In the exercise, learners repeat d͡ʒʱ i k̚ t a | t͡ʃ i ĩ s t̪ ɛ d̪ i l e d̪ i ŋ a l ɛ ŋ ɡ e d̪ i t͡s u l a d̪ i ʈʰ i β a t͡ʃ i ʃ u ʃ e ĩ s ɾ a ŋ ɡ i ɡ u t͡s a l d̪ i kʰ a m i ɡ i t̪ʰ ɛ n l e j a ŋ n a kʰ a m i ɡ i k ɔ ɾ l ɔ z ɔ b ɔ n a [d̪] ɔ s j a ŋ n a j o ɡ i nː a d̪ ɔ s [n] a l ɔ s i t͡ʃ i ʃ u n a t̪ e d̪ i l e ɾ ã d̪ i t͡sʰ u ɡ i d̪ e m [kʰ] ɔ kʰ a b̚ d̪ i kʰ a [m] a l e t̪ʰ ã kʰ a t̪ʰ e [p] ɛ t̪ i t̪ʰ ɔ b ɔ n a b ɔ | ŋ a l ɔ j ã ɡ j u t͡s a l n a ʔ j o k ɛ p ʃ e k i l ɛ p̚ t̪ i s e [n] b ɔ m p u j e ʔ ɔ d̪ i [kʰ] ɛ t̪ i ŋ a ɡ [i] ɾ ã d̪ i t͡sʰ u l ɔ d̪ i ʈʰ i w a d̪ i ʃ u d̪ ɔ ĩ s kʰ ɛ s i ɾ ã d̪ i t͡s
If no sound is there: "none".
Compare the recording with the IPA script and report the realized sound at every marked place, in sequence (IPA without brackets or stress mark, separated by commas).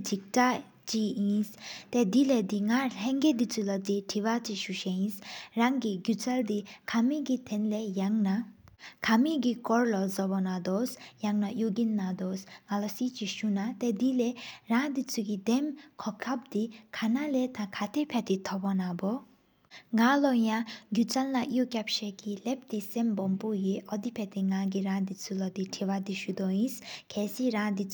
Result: d̪, ŋ, kʰ, n, pʰ, m, pʰ, i